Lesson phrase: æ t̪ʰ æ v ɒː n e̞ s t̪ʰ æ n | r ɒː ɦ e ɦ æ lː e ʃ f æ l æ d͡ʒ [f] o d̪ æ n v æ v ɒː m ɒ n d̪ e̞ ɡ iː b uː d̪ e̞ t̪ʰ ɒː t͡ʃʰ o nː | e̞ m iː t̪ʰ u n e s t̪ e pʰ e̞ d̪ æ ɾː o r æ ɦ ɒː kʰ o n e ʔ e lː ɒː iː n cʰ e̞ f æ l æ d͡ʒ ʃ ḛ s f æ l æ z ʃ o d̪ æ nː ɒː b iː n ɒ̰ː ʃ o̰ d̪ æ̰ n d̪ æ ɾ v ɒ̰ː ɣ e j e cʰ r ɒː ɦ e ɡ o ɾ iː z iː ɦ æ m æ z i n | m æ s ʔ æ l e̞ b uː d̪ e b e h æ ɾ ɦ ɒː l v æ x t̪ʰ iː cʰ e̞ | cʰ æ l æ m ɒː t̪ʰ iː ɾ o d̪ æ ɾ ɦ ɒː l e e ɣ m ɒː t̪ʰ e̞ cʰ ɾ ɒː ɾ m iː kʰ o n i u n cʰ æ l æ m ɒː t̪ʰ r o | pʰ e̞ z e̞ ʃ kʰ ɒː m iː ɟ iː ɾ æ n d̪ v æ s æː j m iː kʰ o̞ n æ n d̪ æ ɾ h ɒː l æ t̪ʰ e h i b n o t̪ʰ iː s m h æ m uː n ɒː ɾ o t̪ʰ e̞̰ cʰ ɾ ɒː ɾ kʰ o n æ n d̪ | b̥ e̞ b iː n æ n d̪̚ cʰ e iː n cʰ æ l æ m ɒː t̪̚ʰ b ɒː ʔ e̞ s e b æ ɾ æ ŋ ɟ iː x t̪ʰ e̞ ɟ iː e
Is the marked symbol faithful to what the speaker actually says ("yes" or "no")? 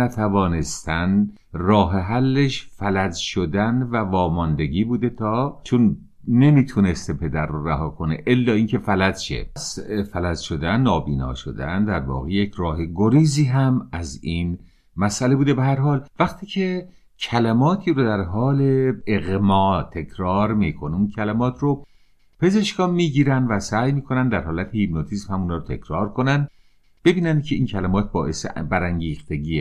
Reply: no